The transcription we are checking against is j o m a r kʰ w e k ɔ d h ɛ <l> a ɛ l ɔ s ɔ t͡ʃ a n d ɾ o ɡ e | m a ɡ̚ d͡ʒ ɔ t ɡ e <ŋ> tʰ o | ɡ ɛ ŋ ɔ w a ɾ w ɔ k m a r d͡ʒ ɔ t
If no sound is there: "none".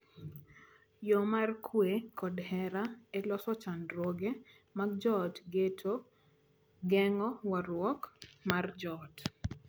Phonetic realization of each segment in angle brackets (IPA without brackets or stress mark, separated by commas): ɾ, none